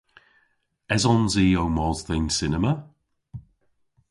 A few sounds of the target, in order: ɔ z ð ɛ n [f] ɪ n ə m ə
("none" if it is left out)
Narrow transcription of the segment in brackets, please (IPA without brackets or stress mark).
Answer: s